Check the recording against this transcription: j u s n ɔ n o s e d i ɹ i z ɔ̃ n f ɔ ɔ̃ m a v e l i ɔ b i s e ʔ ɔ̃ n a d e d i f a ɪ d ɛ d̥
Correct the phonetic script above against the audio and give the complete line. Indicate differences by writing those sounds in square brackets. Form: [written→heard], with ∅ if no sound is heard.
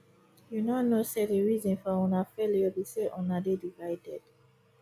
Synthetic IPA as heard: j u [s→∅] n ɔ n o s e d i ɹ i z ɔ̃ n f ɔ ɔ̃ [m→n] a [v→f] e l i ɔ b i s e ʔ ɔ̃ n a d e d i [f→v] a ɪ d ɛ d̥